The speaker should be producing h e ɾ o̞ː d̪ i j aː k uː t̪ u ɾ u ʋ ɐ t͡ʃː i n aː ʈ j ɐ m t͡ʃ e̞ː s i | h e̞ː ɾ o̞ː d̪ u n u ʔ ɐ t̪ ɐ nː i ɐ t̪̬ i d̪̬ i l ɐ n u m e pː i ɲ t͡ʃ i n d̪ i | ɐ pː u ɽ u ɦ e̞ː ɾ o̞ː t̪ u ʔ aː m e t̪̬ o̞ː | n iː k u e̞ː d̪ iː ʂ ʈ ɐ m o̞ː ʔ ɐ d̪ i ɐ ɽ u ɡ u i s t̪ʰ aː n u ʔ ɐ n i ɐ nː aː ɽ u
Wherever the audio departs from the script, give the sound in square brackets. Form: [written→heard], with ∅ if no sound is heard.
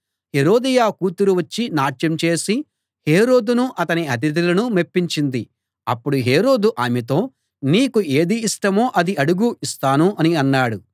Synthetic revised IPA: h e ɾ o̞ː d̪ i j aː k uː t̪ u ɾ u ʋ ɐ t͡ʃː i n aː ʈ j ɐ m t͡ʃ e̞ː s i | h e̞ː ɾ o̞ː d̪ u n u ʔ ɐ t̪ ɐ [nː→n] i ɐ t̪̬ i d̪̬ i l ɐ n u m e pː i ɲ t͡ʃ i n d̪ i | ɐ pː u ɽ u ɦ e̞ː ɾ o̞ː [t̪→d̪] u ʔ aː m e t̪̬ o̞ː | n iː k u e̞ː d̪ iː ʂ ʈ ɐ m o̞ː ʔ ɐ d̪ i ɐ ɽ u ɡ u i s [t̪ʰ→t̪] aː n u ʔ ɐ n i ɐ nː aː ɽ u